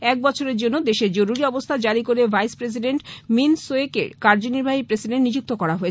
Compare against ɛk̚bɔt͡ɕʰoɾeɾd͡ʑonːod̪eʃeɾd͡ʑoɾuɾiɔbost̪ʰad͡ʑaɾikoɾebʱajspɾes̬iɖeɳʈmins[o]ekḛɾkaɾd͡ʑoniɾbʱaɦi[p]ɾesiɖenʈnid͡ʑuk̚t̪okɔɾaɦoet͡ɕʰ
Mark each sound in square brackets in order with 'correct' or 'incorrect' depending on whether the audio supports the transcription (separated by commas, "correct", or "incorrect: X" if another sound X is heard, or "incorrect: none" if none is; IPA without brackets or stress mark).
correct, correct